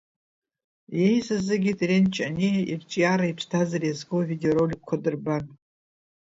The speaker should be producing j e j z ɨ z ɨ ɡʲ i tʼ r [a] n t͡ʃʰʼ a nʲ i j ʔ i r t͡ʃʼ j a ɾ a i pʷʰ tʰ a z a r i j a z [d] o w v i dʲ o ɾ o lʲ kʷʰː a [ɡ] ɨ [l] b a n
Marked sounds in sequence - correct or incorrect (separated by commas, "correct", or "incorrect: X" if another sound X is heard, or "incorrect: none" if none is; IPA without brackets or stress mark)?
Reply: incorrect: e, incorrect: ɡ, incorrect: d, incorrect: r